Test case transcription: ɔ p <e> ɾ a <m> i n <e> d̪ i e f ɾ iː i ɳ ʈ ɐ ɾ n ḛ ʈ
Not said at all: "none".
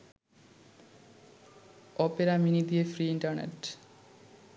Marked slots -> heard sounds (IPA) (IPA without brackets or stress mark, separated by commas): e, m, i